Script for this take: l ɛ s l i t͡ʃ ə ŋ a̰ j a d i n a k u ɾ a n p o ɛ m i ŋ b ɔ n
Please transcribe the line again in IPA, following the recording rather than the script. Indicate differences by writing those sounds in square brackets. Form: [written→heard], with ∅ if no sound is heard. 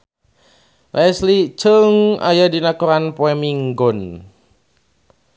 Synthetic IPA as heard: l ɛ s l i t͡ʃ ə ŋ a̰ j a d i n a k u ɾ a n p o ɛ m i ŋ [b→ɡ] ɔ n